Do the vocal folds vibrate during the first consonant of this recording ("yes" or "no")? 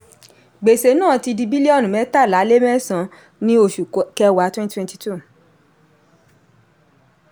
yes